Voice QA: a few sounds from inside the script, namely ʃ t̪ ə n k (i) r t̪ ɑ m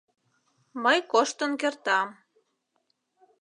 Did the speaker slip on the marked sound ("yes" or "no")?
yes